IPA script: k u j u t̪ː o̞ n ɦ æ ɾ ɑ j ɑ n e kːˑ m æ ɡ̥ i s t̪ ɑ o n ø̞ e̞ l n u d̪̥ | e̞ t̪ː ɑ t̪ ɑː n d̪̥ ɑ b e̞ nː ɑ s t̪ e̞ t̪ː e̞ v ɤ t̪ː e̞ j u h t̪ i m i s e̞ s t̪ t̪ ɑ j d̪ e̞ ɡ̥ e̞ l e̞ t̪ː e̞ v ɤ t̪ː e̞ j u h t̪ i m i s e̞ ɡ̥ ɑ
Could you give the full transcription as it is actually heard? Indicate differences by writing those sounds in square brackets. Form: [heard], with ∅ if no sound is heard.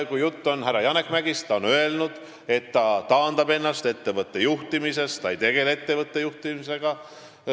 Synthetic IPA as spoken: k u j u t̪ː o̞ n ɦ æ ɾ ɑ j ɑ n e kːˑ m æ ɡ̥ i s t̪ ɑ o n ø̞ e̞ l n u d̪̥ | e̞ t̪ː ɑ t̪ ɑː n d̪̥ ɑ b e̞ nː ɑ s t̪ e̞ t̪ː e̞ v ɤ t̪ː e̞ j u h t̪ i m i s e̞ s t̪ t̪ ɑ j [t̪] e̞ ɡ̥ e̞ l e̞ t̪ː e̞ v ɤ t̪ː e̞ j u h t̪ i m i s e̞ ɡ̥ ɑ